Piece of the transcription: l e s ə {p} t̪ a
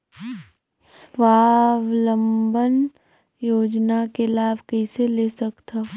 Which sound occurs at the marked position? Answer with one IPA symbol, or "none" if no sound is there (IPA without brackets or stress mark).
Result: k